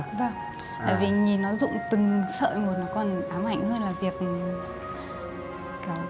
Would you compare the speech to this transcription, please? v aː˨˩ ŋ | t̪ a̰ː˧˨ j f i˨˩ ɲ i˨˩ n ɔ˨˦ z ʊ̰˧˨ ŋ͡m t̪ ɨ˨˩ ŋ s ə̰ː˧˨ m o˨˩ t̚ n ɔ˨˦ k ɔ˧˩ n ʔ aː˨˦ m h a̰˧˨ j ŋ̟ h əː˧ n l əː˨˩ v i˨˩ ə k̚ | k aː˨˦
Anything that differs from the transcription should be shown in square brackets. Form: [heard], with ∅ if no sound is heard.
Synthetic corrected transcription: v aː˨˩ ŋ | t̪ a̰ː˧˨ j [v] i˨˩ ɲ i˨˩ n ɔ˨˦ z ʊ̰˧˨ ŋ͡m t̪ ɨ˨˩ ŋ s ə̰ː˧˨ m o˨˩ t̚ n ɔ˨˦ k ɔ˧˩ n ʔ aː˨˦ m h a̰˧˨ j ŋ̟ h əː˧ n l [aː˨˩] v i˨˩ ə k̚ | k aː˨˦